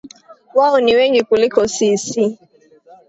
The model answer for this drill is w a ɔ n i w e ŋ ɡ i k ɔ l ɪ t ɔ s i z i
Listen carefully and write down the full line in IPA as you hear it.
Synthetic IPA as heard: w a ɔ n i w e ŋ ɡ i k u l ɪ k ɔ s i s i